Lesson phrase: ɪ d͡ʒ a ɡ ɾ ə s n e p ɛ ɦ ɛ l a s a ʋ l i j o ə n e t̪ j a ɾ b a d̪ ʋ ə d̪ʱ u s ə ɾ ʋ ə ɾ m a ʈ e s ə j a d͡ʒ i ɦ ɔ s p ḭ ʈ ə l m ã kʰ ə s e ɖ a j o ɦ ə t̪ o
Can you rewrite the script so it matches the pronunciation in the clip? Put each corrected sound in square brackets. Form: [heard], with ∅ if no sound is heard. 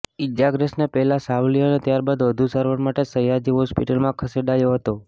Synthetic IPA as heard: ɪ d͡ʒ a ɡ ɾ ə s n e p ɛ ɦ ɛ l a s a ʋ l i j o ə n e t̪ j a ɾ b a d̪ ʋ ə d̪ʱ u s ə ɾ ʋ ə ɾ m a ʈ e s ə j a d͡ʒ i ɦ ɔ s p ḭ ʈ ə l m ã kʰ ə s e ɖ a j o ɦ ə t̪ o